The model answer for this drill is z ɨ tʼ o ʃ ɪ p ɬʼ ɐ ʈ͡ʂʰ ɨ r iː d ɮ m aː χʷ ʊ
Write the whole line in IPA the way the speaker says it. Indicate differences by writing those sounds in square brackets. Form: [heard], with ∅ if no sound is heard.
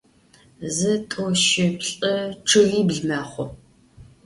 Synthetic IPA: z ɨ tʼ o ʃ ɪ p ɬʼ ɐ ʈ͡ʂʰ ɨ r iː [b] ɮ m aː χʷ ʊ